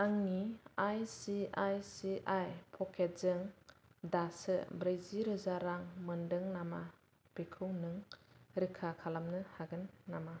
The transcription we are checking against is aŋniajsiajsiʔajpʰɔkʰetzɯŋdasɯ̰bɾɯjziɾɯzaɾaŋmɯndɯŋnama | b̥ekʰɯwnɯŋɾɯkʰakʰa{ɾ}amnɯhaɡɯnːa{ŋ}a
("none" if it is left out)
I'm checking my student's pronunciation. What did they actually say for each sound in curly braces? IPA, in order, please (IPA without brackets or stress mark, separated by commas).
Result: l, m